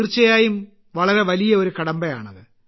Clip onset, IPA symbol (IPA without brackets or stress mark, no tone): r